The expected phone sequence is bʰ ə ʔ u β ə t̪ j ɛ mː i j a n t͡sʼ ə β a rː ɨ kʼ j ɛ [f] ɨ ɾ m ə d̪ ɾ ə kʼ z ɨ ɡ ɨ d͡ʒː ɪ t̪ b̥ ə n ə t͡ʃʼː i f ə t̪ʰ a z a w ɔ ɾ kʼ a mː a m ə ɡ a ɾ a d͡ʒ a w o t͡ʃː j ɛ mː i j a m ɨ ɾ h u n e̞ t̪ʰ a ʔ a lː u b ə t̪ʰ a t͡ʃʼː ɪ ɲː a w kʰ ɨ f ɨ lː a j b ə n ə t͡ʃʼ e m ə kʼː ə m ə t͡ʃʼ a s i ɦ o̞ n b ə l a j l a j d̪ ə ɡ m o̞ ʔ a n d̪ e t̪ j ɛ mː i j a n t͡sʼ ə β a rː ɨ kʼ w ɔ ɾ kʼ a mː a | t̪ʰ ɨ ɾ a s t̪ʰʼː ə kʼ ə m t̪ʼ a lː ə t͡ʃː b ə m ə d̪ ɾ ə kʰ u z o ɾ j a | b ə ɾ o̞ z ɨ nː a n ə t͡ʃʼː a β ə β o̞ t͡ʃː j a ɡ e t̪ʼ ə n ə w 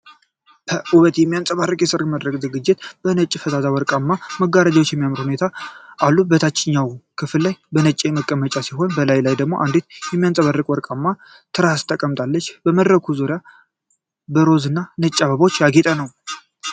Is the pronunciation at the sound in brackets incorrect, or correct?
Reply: incorrect